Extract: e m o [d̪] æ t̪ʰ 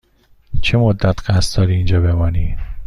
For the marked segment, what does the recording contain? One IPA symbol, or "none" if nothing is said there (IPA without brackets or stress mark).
d̪ː